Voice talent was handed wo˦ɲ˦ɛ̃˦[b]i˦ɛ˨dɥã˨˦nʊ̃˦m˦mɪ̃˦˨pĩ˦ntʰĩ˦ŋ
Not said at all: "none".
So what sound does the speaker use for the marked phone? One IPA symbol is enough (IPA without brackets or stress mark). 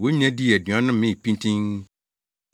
d